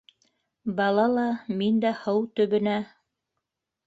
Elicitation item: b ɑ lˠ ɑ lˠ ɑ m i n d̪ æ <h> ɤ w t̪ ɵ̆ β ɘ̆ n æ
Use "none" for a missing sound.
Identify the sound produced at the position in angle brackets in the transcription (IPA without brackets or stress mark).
h